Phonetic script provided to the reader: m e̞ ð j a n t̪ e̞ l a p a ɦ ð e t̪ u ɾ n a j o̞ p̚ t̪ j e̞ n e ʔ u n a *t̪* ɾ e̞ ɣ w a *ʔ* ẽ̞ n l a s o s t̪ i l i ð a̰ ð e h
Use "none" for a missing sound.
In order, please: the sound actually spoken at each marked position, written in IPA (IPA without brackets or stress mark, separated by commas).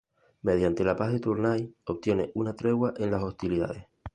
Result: t̪, ʔ